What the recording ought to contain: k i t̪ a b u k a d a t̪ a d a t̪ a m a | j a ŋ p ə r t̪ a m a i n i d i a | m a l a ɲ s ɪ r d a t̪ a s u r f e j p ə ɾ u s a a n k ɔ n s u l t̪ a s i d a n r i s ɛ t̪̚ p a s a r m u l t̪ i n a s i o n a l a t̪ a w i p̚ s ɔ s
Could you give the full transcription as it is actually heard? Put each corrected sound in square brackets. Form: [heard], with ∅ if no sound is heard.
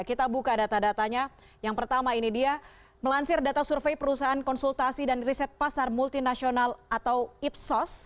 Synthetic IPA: k i t̪ a b u k a d a t̪ a d a t̪ a [ɲ] a | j a ŋ p ə r t̪ a m a i n i d i a | m [ə] l a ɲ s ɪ r d a t̪ a s u r f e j p ə ɾ u s a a n k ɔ n s u l t̪ a s i d a n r i s ɛ t̪̚ p a s a r m u l t̪ i n a s i o n a l a t̪ a w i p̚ s ɔ s